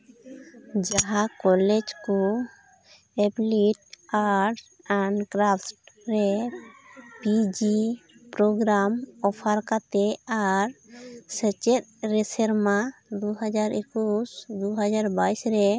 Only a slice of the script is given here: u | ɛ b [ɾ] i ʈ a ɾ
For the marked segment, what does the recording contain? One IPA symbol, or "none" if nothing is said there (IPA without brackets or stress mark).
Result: l